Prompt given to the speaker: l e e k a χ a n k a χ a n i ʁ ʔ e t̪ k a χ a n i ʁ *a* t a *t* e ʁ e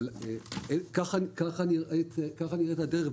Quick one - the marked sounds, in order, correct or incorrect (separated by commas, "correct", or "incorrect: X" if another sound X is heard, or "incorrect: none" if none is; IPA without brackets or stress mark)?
incorrect: e, incorrect: d